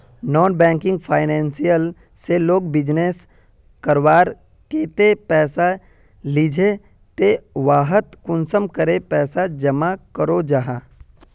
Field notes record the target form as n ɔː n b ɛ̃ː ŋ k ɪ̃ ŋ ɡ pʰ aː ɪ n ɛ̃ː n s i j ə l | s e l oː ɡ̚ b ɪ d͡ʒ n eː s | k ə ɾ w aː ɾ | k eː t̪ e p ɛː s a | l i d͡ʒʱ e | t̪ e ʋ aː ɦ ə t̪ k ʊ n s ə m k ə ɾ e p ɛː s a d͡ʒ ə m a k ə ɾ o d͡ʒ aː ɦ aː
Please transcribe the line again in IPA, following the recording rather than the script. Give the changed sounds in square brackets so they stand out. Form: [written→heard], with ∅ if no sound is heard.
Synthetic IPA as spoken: n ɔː n b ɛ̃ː ŋ k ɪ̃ ŋ ɡ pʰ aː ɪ n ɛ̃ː n s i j ə l | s e l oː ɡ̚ b ɪ d͡ʒ n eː s | k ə ɾ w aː ɾ | k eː t̪ e p ɛː s a | l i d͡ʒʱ e | t̪ e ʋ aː ɦ ə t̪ k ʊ n s ə m k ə ɾ e p ɛː s a d͡ʒ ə m a k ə ɾ o d͡ʒ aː ɦ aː